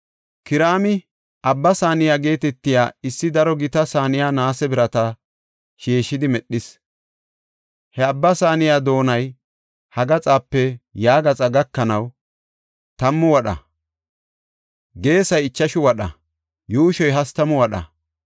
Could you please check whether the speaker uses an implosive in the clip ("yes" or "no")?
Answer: yes